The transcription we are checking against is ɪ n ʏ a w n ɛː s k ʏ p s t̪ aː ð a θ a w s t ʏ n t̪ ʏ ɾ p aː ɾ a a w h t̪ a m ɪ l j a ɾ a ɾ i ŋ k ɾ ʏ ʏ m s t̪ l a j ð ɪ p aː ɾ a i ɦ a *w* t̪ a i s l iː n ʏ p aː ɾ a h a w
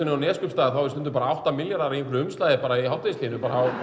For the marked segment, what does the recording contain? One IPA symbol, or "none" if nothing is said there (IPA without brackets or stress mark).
w